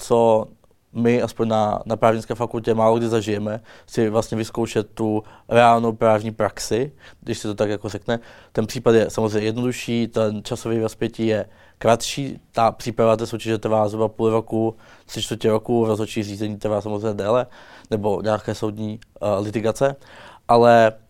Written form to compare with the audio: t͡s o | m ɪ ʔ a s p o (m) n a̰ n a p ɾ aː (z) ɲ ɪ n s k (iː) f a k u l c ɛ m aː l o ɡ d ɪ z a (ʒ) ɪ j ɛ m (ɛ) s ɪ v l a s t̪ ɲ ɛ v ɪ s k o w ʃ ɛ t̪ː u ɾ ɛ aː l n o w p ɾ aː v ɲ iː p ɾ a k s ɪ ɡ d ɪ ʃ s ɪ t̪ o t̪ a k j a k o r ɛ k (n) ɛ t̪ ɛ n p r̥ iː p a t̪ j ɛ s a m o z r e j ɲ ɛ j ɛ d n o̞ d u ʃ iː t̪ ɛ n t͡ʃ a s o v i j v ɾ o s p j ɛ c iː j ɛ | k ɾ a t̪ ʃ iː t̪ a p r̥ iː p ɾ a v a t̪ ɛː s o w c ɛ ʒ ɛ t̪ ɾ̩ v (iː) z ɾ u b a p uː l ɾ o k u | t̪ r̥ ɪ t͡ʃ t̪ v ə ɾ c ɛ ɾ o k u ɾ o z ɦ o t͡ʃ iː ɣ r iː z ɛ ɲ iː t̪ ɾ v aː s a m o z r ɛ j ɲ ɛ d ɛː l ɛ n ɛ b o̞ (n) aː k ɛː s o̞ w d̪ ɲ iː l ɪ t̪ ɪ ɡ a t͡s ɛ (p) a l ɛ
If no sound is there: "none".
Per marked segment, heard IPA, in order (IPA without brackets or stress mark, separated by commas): ɲ, v, ɛː, ʒ, ɛ, n, aː, ɲ, ʔ